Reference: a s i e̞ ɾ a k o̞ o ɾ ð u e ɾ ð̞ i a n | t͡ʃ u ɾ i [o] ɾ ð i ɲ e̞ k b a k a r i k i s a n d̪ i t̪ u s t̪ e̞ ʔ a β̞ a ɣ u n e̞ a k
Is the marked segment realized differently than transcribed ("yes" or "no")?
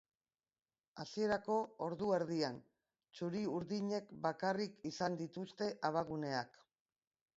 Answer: yes